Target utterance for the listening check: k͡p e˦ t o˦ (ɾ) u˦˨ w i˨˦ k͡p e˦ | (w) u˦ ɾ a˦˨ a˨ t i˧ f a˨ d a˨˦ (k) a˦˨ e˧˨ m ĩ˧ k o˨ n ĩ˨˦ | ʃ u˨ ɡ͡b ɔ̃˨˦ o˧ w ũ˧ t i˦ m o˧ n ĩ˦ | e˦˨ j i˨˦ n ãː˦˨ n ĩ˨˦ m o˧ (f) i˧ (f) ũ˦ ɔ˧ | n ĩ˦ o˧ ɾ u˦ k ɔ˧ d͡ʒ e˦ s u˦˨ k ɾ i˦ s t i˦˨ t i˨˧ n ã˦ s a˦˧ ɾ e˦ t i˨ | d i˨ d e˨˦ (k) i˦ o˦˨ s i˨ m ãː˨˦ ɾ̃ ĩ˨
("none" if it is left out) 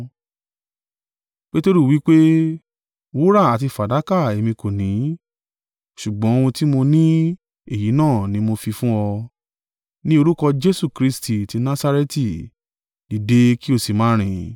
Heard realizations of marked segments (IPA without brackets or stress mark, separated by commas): ɾ, w, k, f, f, k